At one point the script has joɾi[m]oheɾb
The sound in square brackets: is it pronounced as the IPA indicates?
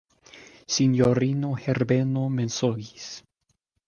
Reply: no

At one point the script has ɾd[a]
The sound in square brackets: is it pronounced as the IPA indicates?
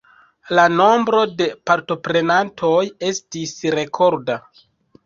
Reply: yes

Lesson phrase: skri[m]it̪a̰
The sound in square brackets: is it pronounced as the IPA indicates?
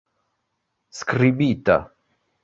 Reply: no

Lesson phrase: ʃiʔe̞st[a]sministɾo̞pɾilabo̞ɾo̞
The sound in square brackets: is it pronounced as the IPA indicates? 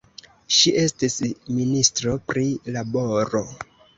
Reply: no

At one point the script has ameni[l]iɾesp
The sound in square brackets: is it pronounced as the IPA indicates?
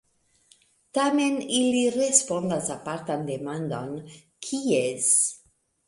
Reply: yes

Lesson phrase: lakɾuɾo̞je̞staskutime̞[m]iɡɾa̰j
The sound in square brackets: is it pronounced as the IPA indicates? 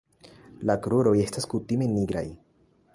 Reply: no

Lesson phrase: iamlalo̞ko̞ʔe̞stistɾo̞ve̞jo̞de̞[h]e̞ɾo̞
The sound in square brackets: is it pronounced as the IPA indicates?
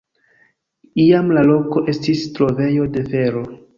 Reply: no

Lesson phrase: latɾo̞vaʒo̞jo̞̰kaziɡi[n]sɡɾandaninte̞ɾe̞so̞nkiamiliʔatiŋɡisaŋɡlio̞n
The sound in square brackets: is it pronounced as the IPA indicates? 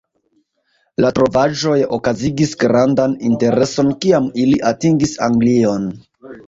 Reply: no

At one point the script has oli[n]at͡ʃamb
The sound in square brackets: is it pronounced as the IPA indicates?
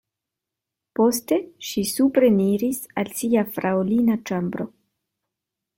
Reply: yes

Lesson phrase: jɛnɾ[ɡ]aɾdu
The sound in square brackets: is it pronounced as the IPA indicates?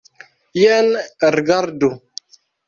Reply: yes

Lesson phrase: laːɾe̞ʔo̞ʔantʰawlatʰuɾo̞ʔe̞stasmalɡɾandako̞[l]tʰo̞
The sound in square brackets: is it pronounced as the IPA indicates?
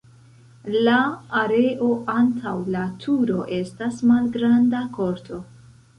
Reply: no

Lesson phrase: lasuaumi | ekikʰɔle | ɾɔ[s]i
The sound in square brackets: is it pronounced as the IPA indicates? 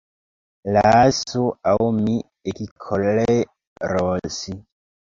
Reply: yes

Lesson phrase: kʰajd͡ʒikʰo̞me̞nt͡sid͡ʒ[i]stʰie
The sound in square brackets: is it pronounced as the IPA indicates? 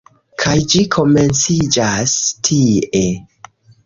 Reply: no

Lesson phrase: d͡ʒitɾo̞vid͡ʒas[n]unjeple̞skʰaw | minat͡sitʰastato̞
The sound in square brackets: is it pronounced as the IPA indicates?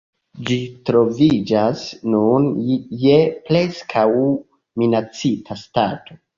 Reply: yes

